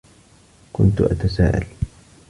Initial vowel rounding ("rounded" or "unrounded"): rounded